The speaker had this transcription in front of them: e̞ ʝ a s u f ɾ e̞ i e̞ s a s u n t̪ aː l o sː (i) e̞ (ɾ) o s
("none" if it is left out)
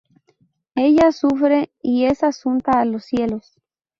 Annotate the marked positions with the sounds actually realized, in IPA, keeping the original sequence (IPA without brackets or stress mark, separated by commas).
j, l